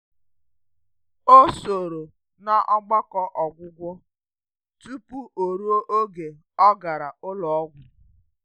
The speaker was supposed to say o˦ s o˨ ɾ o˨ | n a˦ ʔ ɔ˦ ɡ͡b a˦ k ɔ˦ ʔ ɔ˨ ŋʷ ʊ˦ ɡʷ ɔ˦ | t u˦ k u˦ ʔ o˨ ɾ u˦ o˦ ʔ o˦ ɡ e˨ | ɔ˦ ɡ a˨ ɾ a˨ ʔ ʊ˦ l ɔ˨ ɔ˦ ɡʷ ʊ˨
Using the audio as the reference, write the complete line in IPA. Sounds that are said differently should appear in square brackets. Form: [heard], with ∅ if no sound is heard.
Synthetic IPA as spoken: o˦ s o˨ ɾ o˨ | n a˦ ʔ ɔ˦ ɡ͡b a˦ k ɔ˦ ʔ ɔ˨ [ɡʷ] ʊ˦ ɡʷ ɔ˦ | t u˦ [p] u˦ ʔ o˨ ɾ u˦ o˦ ʔ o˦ ɡ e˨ | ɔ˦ ɡ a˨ ɾ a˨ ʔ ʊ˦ l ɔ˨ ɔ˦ ɡʷ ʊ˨